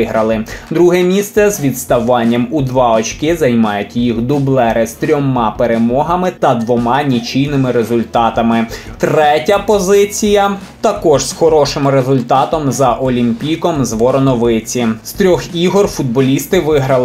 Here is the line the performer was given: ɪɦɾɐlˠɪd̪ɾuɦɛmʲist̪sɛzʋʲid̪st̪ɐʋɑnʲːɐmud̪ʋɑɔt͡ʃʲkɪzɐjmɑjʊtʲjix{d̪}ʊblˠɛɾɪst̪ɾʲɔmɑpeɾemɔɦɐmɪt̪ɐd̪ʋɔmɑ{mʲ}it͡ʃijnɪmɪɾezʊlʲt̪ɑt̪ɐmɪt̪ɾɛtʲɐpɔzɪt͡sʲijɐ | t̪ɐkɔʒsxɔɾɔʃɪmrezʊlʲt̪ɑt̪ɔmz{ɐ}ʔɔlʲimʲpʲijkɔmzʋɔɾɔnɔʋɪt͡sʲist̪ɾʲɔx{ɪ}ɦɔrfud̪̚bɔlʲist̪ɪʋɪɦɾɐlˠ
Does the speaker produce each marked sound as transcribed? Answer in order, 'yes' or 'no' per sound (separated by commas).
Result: yes, no, yes, no